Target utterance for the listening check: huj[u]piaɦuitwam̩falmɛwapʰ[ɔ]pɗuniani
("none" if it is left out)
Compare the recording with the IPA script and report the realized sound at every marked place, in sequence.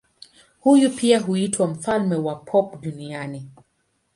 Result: u, ɔ

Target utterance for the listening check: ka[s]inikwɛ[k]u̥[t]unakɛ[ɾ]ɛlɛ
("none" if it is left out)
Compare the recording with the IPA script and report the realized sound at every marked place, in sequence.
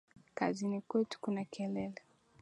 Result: z, t, k, l

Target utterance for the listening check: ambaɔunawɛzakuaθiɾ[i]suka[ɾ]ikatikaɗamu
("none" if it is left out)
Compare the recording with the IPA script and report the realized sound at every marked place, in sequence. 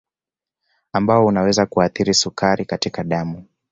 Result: i, ɾ

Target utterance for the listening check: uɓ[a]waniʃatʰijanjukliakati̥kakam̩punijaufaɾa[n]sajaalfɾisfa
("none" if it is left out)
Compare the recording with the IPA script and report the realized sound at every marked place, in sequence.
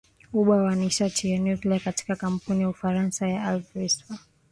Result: a, n

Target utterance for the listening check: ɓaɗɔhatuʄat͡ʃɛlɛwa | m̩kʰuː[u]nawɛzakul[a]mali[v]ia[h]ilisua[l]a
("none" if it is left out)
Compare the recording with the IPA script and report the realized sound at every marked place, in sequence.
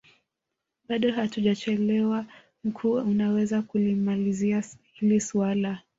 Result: u, i, z, h, l

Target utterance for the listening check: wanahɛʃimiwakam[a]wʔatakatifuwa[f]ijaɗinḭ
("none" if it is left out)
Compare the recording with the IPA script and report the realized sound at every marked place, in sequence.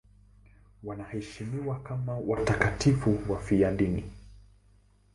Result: a, f

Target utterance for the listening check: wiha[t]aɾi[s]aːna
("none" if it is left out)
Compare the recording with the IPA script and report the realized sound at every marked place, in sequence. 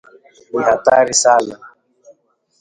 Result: t, s

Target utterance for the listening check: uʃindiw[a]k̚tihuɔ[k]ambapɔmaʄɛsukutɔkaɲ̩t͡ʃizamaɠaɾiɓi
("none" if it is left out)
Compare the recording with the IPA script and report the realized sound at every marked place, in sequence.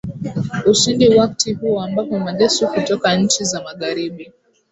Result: a, none

